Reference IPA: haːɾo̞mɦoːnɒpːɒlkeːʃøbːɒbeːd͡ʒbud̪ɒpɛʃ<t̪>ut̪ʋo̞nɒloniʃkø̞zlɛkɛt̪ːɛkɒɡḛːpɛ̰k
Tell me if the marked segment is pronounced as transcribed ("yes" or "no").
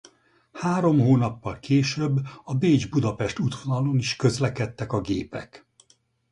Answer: yes